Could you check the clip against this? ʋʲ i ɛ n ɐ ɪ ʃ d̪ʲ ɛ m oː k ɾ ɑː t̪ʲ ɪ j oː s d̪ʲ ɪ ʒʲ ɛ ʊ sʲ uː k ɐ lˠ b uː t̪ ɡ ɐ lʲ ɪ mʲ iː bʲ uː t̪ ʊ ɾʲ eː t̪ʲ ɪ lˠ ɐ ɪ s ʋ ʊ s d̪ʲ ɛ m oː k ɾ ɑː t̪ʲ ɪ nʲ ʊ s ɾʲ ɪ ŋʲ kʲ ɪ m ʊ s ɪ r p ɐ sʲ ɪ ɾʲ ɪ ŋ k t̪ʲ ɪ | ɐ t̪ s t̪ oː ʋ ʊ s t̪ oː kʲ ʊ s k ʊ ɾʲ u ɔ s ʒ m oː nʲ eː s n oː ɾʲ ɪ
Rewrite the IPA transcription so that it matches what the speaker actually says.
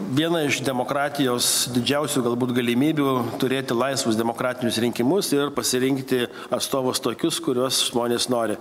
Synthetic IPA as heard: ʋʲ i ɛ n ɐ ɪ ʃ d̪ʲ ɛ m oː k ɾ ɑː t̪ʲ ɪ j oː s d̪ʲ ɪ d͡ʒʲ ɛ ʊ sʲ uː ɡ ɐ lˠ b uː t̪ ɡ ɐ lʲ ɪ mʲ iː bʲ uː t̪ ʊ ɾʲ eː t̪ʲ ɪ lˠ ɐ ɪ s ʋ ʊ s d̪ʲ ɛ m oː k ɾ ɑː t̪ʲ ɪ nʲ ʊ s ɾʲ ɪ ŋʲ kʲ ɪ m ʊ s ɪ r p ɐ sʲ ɪ ɾʲ ɪ ŋ k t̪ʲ ɪ | ɐ t̪ s t̪ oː ʋ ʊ s t̪ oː kʲ ʊ s k ʊ ɾʲ u ɔ s ʒ m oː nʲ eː s n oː ɾʲ ɪ